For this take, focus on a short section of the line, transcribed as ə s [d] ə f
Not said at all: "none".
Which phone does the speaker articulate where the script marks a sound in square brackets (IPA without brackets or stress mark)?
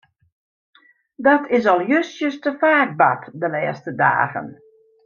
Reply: t